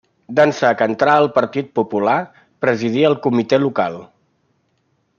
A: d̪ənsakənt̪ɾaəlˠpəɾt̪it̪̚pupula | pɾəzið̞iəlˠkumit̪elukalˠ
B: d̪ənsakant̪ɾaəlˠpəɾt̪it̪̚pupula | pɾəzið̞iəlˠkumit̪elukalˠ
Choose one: A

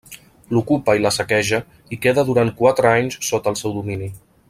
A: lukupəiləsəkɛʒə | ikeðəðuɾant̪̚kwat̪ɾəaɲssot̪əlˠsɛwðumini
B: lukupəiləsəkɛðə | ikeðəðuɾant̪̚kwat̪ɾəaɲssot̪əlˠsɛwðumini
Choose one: A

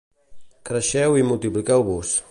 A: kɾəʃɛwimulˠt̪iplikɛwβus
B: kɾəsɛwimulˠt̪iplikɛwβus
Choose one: A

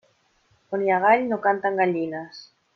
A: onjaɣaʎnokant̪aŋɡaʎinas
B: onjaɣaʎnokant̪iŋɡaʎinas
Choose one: A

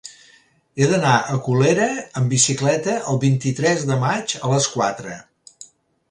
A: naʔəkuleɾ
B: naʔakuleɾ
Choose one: A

